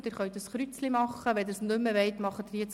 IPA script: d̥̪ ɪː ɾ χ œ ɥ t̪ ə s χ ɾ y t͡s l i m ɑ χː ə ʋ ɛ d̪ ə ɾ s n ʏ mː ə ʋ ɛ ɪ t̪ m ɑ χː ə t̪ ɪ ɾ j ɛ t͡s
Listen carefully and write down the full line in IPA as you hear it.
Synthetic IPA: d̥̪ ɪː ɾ χ œ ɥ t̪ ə s χ ɾ y t͡s l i m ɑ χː ə ʋ ɛ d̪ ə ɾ s n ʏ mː ə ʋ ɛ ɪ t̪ m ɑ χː ə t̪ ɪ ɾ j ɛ t͡s